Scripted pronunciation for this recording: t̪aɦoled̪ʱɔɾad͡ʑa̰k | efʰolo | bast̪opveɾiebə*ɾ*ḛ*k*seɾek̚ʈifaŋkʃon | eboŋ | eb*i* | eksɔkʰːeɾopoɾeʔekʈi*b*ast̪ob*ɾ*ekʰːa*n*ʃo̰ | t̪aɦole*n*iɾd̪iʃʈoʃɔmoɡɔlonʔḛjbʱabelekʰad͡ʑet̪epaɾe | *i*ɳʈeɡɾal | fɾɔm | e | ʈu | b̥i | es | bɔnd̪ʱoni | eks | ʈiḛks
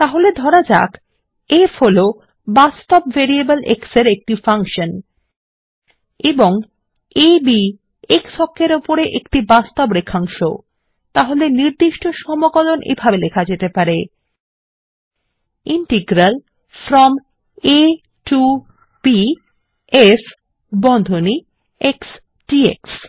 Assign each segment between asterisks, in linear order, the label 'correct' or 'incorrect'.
incorrect, correct, correct, correct, correct, incorrect, correct, correct

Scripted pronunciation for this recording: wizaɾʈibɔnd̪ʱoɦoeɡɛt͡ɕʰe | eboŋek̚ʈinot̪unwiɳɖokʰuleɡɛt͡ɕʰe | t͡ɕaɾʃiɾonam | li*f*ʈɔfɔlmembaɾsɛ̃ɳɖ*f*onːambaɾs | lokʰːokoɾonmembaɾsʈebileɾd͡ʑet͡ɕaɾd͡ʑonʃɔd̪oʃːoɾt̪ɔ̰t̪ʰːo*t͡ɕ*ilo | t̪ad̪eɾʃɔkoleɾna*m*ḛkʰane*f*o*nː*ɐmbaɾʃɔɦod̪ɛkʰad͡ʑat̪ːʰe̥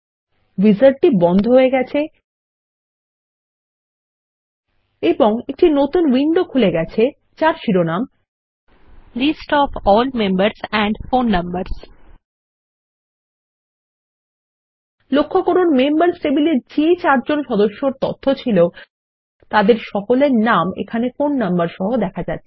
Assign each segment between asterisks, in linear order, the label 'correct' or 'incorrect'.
incorrect, correct, incorrect, correct, correct, correct

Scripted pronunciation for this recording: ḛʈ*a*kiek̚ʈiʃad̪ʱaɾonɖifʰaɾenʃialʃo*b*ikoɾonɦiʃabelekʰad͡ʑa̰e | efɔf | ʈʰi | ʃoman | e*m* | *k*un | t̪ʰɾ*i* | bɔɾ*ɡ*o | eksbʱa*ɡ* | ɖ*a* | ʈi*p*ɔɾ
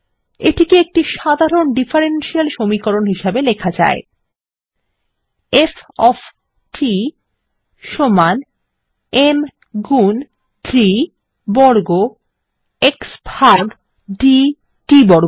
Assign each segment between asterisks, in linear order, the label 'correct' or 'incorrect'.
incorrect, incorrect, correct, incorrect, correct, correct, correct, incorrect, incorrect

